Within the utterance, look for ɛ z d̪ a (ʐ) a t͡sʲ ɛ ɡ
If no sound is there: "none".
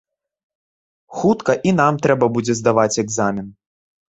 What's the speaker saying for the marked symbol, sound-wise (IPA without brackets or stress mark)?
v